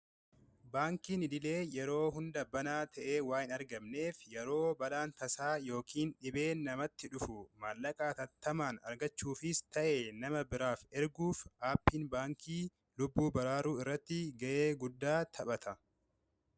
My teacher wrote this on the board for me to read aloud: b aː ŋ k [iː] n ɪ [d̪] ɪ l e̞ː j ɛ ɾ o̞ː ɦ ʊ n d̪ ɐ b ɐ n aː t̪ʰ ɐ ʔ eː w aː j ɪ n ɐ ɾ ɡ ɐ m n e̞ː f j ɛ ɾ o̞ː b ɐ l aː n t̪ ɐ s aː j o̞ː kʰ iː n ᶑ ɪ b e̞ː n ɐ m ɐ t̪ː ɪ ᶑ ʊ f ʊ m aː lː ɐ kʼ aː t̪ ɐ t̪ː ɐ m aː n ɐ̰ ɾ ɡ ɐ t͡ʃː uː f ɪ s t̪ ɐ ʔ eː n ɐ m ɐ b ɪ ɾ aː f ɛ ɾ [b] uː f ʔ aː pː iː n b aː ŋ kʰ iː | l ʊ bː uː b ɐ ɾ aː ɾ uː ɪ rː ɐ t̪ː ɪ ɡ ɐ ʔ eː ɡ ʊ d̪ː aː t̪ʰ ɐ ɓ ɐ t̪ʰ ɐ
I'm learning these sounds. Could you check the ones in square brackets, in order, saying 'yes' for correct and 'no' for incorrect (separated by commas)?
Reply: yes, yes, no